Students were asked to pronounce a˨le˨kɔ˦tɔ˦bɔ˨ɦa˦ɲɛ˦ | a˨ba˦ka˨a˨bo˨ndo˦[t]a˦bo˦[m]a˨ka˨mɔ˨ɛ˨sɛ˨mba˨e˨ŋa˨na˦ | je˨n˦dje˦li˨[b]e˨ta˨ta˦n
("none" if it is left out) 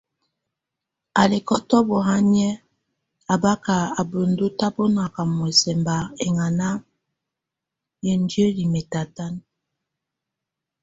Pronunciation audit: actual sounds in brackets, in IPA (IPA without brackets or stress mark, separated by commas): t, n, m